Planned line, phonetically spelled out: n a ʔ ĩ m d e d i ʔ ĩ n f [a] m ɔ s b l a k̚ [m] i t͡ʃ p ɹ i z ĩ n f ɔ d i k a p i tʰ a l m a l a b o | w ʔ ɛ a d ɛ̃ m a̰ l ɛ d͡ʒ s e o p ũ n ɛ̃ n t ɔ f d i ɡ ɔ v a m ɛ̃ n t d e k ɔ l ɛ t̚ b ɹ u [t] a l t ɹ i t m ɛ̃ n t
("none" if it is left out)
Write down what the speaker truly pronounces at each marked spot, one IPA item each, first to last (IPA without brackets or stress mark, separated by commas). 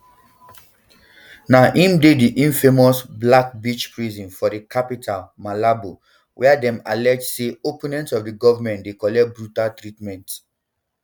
e, b, t